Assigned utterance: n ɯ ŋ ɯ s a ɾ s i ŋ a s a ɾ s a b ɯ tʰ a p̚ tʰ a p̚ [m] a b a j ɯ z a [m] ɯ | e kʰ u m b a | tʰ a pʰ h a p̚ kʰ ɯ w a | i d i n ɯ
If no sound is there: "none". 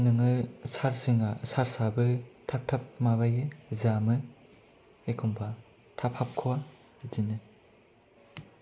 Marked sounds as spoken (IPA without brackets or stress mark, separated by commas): m, m